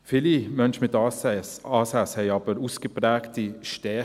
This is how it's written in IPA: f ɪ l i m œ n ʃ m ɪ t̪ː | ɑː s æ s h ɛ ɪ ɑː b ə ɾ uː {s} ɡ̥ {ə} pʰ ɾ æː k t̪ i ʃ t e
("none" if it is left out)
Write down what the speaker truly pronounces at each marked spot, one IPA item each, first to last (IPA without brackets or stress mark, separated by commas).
s, ə